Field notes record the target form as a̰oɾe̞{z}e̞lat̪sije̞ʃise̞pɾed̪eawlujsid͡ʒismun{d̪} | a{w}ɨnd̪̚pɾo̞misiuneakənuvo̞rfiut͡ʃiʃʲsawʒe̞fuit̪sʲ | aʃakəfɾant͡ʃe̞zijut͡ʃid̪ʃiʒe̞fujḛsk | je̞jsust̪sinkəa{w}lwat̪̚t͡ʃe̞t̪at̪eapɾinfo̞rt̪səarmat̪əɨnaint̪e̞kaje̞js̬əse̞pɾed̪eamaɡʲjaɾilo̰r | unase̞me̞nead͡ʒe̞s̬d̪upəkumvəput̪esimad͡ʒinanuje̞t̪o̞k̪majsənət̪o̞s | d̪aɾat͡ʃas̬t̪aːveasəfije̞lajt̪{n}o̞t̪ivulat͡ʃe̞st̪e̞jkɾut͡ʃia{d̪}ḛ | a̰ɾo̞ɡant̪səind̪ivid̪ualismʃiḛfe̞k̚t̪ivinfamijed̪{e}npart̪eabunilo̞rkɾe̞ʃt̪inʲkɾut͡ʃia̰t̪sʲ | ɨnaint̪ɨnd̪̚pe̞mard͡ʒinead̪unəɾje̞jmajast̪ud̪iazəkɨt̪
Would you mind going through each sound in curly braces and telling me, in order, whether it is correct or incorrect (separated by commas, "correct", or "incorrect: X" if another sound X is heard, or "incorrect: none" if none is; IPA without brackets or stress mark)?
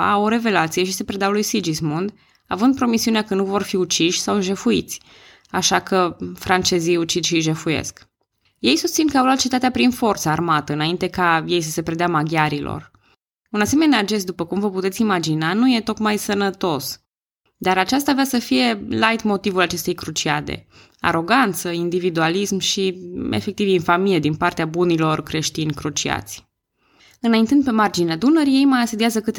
incorrect: v, correct, incorrect: v, correct, incorrect: m, correct, incorrect: i